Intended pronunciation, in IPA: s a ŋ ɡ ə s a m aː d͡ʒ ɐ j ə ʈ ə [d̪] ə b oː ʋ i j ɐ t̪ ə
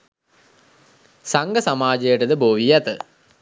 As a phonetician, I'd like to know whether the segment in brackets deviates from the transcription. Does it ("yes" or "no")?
no